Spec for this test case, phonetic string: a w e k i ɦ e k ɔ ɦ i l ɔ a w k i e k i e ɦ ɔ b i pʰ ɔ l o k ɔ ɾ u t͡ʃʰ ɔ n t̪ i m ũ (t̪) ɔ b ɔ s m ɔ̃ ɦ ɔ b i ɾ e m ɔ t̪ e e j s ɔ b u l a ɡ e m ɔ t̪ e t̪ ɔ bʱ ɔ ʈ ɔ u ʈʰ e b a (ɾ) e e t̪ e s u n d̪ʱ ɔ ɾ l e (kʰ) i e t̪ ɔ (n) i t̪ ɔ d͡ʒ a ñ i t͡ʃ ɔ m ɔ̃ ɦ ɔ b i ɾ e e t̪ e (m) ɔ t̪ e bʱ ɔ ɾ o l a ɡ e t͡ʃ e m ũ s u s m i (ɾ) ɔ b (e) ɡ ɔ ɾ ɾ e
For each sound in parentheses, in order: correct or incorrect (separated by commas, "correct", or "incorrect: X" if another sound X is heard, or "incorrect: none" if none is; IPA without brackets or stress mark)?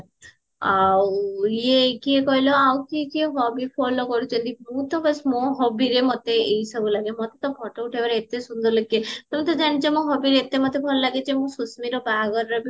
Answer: correct, correct, incorrect: k, incorrect: m, correct, correct, incorrect: a